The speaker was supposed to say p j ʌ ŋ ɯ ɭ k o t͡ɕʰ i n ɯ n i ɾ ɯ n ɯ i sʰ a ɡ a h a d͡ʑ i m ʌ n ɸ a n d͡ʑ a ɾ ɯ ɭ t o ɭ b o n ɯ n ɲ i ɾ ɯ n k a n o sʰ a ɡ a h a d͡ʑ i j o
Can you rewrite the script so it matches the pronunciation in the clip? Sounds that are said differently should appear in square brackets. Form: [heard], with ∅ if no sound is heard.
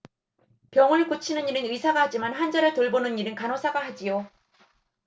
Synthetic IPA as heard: p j ʌ ŋ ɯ ɭ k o t͡ɕʰ i n ɯ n i ɾ ɯ n ɯ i sʰ a ɡ a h a d͡ʑ i m [a] n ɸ a n d͡ʑ a ɾ ɯ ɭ t o ɭ b o n ɯ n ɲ i ɾ ɯ n k a n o sʰ a ɡ a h a d͡ʑ i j o